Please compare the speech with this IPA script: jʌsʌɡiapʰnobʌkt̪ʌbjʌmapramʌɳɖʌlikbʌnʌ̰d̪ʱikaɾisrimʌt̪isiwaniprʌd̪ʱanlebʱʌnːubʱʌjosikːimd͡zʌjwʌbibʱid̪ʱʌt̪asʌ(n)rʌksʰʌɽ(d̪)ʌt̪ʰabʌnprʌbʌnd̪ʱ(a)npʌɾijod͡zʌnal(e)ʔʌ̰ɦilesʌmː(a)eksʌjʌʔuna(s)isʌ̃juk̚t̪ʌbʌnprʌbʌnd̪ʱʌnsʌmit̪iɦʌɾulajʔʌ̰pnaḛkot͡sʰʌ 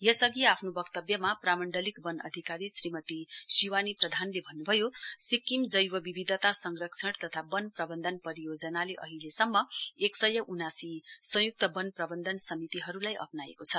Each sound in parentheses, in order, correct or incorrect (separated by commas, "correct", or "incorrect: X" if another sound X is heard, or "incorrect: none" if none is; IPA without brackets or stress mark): incorrect: ŋ, incorrect: t̪, incorrect: ʌ, correct, incorrect: ʌ, correct